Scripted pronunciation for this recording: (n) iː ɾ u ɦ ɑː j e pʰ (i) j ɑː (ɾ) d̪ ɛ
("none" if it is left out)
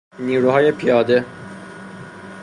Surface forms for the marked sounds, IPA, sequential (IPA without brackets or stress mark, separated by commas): n, i, none